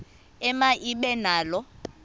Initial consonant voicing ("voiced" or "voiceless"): voiced